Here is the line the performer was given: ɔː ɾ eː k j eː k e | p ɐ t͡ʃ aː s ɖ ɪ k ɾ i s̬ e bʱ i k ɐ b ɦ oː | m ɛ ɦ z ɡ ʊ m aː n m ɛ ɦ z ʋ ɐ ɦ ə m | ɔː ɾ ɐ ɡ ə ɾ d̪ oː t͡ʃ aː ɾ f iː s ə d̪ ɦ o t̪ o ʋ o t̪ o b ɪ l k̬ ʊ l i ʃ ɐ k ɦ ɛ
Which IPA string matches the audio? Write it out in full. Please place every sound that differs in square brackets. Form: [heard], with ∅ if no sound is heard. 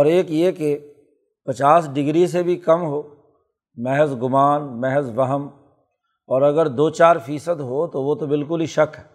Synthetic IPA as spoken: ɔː ɾ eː k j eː k e | p ɐ t͡ʃ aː s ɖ ɪ [ɡ] ɾ i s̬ e bʱ i k ɐ [m] ɦ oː | m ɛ ɦ z ɡ ʊ m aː n m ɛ ɦ z ʋ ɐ ɦ ə m | ɔː ɾ ɐ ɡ ə ɾ d̪ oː t͡ʃ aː ɾ f iː s ə d̪ ɦ o t̪ o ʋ o t̪ o b ɪ l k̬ ʊ l i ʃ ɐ k ɦ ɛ